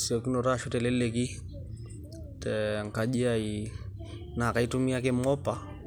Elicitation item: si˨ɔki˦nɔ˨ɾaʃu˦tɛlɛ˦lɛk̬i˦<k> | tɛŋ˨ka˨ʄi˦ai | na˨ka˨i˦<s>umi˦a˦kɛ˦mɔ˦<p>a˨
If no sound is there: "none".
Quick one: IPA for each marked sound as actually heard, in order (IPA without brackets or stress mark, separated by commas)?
none, t, p